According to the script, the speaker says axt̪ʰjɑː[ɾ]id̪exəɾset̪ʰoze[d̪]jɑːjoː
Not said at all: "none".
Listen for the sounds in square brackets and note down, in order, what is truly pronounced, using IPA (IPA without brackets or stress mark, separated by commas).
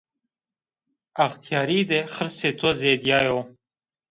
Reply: ɾ, d̪